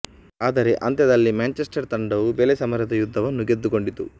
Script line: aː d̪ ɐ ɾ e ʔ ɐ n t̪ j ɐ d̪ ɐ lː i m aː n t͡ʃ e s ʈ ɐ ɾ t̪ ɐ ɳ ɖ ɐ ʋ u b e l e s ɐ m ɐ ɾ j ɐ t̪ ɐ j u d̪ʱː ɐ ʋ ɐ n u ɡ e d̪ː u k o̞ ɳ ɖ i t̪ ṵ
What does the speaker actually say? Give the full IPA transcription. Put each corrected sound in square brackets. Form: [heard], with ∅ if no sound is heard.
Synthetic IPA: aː d̪ ɐ ɾ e ʔ ɐ n t̪ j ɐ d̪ ɐ lː i m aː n t͡ʃ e s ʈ ɐ ɾ t̪ ɐ ɳ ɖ ɐ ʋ u b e l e s ɐ m ɐ ɾ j ɐ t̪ ɐ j u d̪ʱː ɐ ʋ ɐ [nː] u ɡ e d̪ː u k o̞ ɳ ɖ i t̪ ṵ